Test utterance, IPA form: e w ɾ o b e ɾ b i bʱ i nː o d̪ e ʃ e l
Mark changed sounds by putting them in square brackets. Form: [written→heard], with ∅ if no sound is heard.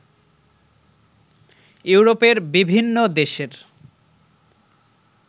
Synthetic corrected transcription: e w ɾ o [b→p] e ɾ b i bʱ i nː o d̪ e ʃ e [l→ɾ]